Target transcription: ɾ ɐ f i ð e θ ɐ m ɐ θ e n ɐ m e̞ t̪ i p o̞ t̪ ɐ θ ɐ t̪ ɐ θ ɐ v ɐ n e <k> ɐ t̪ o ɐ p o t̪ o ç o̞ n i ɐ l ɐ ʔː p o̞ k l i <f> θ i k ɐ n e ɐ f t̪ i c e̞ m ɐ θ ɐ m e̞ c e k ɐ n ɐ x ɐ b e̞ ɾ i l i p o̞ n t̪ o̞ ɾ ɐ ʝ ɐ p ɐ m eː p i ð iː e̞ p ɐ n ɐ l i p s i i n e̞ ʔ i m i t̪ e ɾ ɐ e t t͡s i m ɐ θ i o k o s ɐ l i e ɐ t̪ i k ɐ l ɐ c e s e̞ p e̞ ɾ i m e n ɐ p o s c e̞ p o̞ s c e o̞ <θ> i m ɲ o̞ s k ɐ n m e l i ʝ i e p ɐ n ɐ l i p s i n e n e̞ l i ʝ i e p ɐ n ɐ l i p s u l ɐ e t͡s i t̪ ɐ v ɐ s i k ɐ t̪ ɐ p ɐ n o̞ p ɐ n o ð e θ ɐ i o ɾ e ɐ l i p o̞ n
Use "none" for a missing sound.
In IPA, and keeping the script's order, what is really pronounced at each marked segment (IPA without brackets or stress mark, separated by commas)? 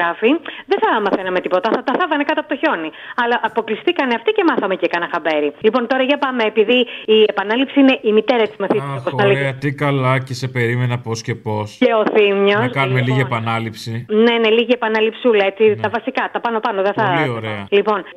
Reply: k, s, θ